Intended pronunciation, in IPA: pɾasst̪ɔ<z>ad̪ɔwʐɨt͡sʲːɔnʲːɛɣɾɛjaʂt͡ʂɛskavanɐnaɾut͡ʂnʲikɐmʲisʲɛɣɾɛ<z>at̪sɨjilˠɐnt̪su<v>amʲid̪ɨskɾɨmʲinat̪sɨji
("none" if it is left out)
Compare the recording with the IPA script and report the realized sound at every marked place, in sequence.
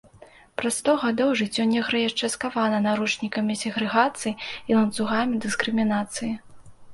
ɣ, ɣ, ɣ

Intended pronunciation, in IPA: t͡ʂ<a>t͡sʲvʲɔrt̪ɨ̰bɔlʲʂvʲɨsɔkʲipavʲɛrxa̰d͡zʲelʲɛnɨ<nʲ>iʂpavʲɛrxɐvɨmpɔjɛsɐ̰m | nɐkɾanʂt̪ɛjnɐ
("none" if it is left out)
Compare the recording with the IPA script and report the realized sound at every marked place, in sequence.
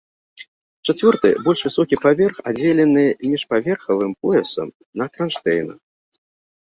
a, mʲ

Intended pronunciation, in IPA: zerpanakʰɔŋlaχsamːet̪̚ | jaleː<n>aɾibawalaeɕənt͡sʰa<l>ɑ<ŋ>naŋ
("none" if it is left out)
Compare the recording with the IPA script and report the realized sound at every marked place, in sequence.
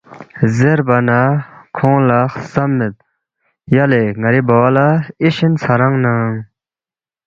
ŋ, ɾ, ŋ

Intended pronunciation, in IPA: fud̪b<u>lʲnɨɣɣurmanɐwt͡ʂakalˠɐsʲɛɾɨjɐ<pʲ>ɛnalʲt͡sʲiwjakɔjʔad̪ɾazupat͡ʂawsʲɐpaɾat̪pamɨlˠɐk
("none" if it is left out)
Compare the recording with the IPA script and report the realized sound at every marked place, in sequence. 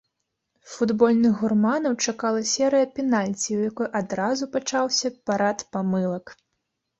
ɔ, pʲ

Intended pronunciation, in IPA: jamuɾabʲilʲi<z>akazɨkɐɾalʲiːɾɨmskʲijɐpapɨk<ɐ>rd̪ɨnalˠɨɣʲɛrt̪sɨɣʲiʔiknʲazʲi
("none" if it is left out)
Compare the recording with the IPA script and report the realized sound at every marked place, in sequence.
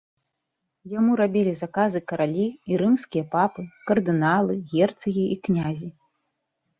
z, ɐ

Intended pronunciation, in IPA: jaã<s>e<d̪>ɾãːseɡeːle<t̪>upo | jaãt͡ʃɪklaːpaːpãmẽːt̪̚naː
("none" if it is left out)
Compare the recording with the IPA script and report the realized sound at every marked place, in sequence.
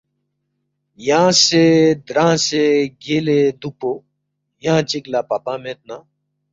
s, d̪, d̪

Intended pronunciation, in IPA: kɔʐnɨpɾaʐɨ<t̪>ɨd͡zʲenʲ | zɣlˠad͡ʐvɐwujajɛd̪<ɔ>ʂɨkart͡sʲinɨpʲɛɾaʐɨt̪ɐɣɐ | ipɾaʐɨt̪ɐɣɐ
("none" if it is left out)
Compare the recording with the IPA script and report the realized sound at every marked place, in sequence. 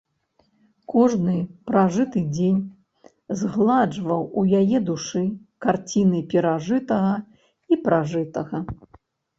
t̪, u

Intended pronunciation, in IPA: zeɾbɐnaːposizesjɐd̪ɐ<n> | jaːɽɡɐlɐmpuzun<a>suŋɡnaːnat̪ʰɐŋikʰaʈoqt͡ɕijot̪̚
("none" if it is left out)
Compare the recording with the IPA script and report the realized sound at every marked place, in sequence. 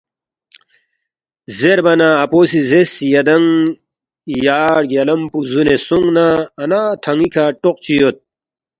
ŋ, e

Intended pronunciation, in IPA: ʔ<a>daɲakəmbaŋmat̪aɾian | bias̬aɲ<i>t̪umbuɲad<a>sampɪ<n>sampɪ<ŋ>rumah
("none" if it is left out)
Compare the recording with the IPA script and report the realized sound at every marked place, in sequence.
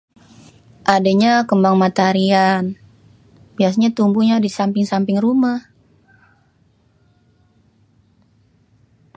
a, a, i, ŋ, ŋ

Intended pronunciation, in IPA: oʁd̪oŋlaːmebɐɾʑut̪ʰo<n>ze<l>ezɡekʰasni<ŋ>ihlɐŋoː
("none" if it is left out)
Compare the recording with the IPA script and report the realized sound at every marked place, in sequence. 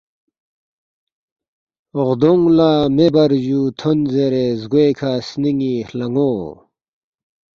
n, ɾ, ŋ

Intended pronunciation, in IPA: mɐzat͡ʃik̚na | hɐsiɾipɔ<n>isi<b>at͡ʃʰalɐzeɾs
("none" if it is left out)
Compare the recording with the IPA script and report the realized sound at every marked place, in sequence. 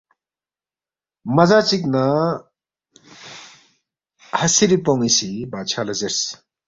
ŋ, b

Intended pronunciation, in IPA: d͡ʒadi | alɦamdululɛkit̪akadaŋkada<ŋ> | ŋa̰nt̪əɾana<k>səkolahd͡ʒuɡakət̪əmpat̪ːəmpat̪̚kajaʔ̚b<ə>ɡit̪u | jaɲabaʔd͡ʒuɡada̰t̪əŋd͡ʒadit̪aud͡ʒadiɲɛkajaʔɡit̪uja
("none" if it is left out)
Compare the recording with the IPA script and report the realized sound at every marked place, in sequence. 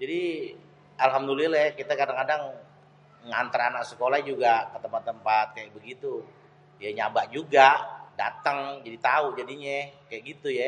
ŋ, k, ə

